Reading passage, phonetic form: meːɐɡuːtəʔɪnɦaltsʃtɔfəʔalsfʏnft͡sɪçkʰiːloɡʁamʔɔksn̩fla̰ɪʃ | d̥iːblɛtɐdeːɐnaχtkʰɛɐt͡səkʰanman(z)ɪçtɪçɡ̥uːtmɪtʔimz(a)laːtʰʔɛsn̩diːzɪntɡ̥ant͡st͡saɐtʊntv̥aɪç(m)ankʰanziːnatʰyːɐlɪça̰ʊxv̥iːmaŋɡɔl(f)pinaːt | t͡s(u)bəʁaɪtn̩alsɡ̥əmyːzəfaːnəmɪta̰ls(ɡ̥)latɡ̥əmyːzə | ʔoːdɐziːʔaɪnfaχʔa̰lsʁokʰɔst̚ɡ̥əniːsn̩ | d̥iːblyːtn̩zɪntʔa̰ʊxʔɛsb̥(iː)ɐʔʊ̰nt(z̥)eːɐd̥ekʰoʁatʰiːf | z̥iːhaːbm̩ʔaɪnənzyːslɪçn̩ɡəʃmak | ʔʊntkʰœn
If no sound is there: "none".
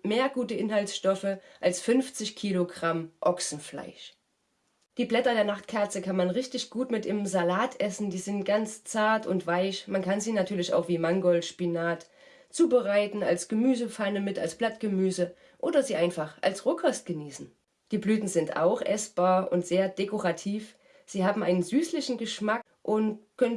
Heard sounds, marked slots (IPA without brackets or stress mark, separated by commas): ʁ, a, m, ʃ, uː, b̥, aː, z̥